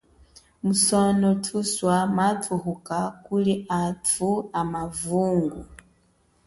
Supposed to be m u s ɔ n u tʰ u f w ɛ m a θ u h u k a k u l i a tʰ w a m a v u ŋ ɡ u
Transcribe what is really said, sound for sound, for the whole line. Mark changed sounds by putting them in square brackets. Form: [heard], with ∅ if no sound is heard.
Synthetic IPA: m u s ɔ n [ɔ] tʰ u [s] w [a] m a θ u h u k a k u l i a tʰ [u] a m a v u ŋ ɡ u